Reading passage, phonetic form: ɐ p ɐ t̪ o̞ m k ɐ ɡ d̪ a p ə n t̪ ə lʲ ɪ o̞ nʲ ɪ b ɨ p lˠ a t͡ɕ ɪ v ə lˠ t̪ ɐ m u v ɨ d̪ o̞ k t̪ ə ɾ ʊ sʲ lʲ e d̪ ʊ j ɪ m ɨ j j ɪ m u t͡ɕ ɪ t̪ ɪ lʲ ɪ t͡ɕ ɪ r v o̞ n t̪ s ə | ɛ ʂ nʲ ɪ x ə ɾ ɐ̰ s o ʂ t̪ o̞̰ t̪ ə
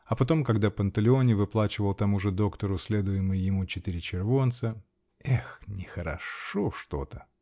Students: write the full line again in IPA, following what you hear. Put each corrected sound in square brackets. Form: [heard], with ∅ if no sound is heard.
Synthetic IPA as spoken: ɐ p ɐ t̪ o̞ m k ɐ ɡ d̪ a p ə n t̪ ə lʲ ɪ o̞ nʲ ɪ [v] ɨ p lˠ a t͡ɕ ɪ v ə lˠ t̪ ɐ m u [ʐ] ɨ d̪ o̞ k t̪ ə ɾ ʊ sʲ lʲ e d̪ ʊ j ɪ m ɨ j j ɪ m u t͡ɕ ɪ t̪ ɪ [ɾʲ] ɪ t͡ɕ ɪ r v o̞ n t̪ s ə | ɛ [x] nʲ ɪ x ə ɾ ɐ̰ [ʂ] o ʂ t̪ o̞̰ t̪ ə

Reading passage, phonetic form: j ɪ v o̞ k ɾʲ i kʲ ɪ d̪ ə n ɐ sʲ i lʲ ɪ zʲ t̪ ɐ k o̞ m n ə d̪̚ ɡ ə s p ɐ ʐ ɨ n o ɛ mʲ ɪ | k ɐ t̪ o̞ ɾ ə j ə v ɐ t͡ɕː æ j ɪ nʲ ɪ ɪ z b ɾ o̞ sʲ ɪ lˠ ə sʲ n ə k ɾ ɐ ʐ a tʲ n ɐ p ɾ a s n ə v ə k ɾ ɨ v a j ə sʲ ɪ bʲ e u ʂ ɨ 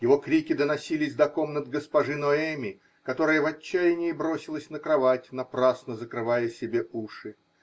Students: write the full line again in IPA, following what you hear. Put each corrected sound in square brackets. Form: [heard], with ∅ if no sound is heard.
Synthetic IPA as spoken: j ɪ v o̞ k ɾʲ i kʲ ɪ d̪ ə n ɐ sʲ i lʲ ɪ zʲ [d̪] ɐ k o̞ m n ə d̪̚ ɡ ə s p ɐ ʐ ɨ n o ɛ mʲ ɪ | k ɐ t̪ o̞ ɾ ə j ə v ɐ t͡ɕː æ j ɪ nʲ ɪ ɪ [∅] b ɾ o̞ sʲ ɪ lˠ ə sʲ n ə k ɾ ɐ [v] a tʲ n ɐ p ɾ a s n ə [z] ə k ɾ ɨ v a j ə sʲ ɪ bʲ e u ʂ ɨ

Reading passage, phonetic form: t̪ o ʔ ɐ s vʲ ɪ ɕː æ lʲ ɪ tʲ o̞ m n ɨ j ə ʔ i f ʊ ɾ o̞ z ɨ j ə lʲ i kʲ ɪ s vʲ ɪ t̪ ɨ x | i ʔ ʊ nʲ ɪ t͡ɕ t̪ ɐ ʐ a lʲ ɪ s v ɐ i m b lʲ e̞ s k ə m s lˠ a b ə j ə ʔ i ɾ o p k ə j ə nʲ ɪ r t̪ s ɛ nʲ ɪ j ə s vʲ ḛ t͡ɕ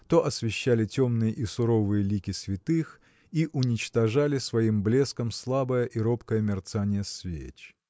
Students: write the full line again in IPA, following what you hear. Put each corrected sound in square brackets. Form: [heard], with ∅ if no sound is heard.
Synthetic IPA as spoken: t̪ o ʔ ɐ s vʲ ɪ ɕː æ lʲ ɪ tʲ o̞ m n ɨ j ə ʔ i [s] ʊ ɾ o̞ [v] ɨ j ə lʲ i kʲ ɪ s vʲ ɪ t̪ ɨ x | i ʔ ʊ nʲ ɪ t͡ɕ t̪ ɐ ʐ a lʲ ɪ s v ɐ i m b lʲ e̞ s k ə m s lˠ a b ə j ə ʔ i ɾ o p k ə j ə [mʲ] ɪ r t̪ s [a] nʲ ɪ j ə s vʲ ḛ t͡ɕ

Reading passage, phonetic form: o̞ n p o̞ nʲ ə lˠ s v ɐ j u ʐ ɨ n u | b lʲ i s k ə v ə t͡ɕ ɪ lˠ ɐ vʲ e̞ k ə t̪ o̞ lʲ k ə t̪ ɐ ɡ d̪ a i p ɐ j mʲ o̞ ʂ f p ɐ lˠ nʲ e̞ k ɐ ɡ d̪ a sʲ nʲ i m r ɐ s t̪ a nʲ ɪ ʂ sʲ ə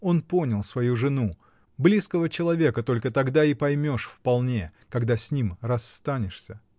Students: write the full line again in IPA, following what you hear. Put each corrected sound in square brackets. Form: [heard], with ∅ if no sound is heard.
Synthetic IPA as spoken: o̞ n p o̞ nʲ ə lˠ s v ɐ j u ʐ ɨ n u | b lʲ i s k ə v ə t͡ɕ ɪ lˠ ɐ vʲ e̞ k ə t̪ o̞ lʲ k ə t̪ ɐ ɡ d̪ a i p ɐ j mʲ o̞ ʂ f p ɐ lˠ nʲ e̞ k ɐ ɡ d̪ a sʲ nʲ i m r ɐ s t̪ a nʲ ɪ ʂ sʲ ə

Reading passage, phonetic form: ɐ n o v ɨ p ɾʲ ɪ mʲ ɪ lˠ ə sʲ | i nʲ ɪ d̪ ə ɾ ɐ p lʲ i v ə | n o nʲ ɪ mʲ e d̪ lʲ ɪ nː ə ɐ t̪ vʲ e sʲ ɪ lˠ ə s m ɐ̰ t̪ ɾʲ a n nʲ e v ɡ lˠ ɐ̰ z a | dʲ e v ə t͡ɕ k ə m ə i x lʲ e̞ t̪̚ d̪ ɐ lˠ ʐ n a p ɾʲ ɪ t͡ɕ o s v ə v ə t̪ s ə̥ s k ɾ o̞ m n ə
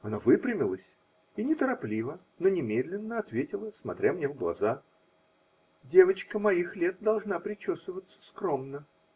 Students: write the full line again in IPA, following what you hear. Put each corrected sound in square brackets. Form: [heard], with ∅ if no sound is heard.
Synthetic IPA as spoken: ɐ n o v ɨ p ɾʲ ɪ mʲ ɪ lˠ ə sʲ | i nʲ ɪ [t̪] ə ɾ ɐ p lʲ i v ə | n o nʲ ɪ mʲ e d̪ lʲ ɪ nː ə ɐ t̪ vʲ e [tʲ] ɪ lˠ ə s m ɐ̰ t̪ ɾʲ a [m] nʲ e v ɡ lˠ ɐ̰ z a | dʲ e v ə t͡ɕ k ə m [ɐ] i x lʲ e̞ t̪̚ d̪ ɐ lˠ ʐ n a p ɾʲ ɪ t͡ɕ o s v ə v ə t̪ s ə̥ s k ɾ o̞ m n ə

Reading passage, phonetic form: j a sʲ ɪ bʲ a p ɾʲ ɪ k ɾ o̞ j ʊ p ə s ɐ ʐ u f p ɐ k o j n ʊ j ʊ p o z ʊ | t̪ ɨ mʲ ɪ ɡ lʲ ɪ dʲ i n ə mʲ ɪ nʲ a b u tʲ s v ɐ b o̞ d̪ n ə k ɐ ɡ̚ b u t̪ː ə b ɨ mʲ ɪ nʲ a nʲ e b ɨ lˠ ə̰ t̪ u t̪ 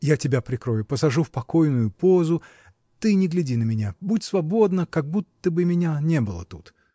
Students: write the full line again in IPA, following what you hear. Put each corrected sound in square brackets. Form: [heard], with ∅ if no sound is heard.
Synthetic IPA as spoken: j a [tʲ] ɪ bʲ a p ɾʲ ɪ k ɾ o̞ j ʊ p ə s ɐ ʐ u f p ɐ k o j n ʊ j ʊ p o z ʊ | t̪ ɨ [nʲ] ɪ ɡ lʲ ɪ dʲ i n ə mʲ ɪ nʲ a b u tʲ s v ɐ b o̞ d̪ n ə k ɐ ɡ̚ b u t̪ː ə b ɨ mʲ ɪ nʲ a nʲ e b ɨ lˠ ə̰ t̪ u t̪

